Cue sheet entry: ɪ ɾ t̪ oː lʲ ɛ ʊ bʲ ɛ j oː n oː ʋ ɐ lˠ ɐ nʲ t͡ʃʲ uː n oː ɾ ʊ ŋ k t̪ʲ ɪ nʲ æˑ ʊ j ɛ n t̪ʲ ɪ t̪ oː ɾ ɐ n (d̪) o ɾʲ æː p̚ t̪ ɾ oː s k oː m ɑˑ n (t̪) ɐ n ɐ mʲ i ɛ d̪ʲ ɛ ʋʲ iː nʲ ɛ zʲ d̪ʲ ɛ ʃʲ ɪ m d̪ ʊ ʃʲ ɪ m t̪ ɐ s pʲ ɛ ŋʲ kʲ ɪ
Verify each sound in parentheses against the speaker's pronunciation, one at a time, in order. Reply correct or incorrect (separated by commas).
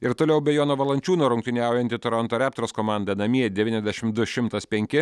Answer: incorrect, incorrect